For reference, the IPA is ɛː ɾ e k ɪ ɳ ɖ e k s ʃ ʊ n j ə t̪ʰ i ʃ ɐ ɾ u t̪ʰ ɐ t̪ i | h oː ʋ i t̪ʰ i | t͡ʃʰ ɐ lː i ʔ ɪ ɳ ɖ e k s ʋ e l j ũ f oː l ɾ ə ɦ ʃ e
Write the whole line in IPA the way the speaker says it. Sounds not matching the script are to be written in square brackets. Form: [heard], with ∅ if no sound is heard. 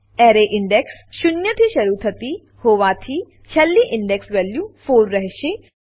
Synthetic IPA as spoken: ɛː ɾ e [ʔ] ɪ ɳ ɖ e k s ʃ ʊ n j ə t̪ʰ i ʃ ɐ ɾ u t̪ʰ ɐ t̪ i | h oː ʋ [a] t̪ʰ i | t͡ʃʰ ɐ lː i ʔ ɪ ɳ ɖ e k s ʋ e l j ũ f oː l ɾ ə ɦ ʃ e